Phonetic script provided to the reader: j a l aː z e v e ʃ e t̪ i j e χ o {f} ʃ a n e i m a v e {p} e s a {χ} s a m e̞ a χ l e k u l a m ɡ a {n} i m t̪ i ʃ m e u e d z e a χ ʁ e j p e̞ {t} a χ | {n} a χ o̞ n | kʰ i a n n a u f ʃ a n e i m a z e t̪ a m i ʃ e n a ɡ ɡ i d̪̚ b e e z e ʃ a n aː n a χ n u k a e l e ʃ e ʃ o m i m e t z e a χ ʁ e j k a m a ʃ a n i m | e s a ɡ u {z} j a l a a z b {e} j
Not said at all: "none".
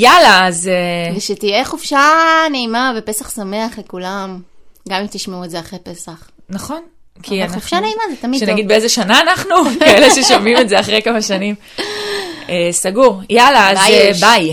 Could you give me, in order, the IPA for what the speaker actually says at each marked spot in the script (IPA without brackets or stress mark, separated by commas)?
f, p, χ, m, s, n, ʁ, a